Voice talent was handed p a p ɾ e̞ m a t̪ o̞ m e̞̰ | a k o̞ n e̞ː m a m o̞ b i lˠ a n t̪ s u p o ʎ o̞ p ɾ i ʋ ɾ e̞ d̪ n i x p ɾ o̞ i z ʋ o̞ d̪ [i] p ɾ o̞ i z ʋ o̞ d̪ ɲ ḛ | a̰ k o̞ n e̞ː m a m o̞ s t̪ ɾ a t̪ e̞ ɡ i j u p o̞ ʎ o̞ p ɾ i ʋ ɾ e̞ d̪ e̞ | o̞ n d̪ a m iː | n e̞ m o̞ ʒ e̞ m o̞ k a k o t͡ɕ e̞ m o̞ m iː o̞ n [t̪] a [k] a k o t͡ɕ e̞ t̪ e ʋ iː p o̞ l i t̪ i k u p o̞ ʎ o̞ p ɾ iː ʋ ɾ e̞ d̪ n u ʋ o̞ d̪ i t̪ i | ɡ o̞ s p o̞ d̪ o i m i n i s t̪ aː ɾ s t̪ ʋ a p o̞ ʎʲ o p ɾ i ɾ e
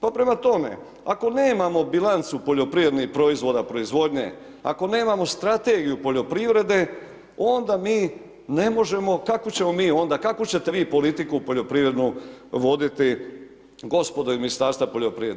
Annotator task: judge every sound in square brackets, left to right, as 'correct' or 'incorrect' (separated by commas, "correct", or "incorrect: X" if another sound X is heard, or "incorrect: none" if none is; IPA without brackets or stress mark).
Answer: incorrect: a, incorrect: d̪, correct